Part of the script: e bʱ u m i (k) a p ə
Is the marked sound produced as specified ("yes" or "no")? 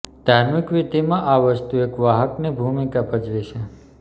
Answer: yes